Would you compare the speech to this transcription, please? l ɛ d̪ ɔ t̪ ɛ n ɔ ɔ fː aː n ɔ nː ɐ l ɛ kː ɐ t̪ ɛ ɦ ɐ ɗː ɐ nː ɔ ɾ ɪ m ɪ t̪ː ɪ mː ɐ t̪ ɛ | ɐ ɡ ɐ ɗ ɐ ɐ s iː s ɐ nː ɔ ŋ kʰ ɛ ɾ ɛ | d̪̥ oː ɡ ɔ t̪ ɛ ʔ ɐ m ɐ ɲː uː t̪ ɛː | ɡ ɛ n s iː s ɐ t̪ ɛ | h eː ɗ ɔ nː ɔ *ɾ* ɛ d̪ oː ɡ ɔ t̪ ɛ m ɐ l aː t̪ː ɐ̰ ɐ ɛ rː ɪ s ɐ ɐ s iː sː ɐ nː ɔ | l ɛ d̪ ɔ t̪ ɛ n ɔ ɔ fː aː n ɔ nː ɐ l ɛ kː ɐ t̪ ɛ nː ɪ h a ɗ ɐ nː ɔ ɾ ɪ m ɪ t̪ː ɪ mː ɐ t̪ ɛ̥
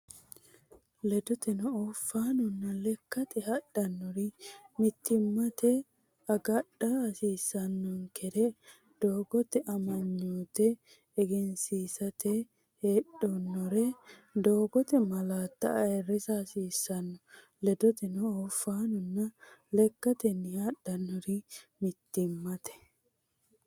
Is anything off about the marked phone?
no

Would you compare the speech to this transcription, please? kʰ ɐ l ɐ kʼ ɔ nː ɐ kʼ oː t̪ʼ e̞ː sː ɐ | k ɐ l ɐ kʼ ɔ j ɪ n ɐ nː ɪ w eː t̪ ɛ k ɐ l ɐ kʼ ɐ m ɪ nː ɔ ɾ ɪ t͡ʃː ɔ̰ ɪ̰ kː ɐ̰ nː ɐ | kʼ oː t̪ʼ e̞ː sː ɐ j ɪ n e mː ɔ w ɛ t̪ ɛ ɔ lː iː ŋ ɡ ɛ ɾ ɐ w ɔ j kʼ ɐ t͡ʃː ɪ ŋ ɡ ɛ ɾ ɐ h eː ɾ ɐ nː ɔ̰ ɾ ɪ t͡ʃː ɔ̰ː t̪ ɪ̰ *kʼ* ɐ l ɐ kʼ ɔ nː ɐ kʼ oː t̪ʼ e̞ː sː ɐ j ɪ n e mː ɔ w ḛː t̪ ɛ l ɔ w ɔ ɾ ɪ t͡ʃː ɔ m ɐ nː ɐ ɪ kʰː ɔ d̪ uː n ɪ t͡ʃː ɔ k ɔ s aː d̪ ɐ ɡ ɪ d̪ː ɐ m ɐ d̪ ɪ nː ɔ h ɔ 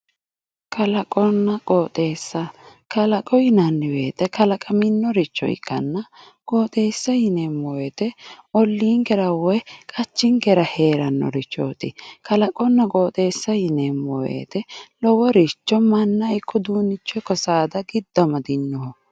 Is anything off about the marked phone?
yes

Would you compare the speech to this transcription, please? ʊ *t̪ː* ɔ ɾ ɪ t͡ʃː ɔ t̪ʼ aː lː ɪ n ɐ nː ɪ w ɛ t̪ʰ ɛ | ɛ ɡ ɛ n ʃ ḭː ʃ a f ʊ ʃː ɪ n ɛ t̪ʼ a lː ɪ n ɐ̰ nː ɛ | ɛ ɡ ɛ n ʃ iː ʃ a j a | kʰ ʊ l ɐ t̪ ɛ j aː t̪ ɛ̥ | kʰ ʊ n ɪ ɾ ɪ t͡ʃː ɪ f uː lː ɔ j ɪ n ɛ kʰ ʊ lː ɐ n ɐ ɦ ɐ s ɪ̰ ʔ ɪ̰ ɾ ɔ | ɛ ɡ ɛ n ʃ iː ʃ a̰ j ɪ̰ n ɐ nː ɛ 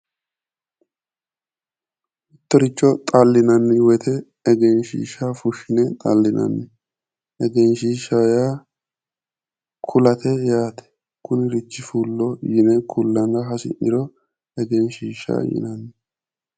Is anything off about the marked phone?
no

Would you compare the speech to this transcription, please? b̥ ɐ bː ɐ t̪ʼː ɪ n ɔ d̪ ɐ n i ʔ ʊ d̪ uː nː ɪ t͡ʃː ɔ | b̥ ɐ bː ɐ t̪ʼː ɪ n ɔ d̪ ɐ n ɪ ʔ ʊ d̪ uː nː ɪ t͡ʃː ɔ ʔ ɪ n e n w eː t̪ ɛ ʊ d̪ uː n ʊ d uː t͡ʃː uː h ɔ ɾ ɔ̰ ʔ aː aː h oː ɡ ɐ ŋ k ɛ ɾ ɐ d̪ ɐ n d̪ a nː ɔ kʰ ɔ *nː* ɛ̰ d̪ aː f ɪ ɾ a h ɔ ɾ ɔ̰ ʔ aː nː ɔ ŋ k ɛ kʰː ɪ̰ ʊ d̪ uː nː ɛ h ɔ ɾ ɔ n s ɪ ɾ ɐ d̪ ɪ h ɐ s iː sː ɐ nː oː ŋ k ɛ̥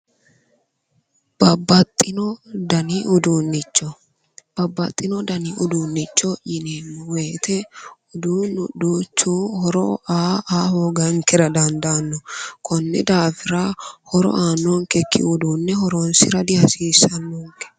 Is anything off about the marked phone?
no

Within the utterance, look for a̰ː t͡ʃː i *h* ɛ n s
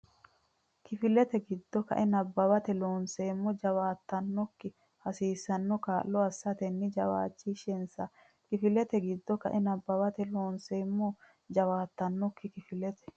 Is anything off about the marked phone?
yes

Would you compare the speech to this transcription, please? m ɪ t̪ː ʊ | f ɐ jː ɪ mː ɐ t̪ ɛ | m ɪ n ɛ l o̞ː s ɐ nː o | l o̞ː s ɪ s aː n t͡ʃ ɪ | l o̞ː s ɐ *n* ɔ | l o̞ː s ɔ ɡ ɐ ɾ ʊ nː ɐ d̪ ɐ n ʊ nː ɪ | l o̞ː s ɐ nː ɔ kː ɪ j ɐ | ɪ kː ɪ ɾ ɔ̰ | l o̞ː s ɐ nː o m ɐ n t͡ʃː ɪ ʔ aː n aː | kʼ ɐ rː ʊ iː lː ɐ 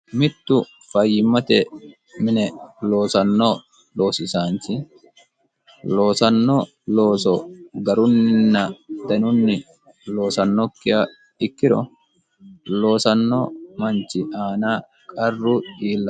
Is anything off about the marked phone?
yes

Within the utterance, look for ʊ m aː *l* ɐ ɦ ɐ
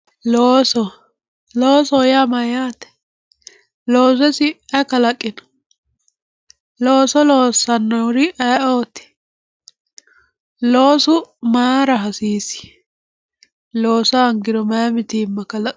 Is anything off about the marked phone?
yes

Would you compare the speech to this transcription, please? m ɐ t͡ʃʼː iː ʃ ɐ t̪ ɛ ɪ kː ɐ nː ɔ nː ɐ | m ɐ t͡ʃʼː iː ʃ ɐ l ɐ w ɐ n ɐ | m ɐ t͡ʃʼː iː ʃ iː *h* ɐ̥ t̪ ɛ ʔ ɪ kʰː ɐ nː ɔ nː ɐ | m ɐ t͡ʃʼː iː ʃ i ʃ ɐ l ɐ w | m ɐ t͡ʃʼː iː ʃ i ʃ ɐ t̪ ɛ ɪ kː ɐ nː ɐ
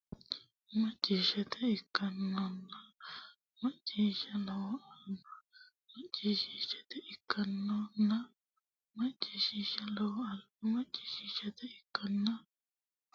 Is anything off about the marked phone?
yes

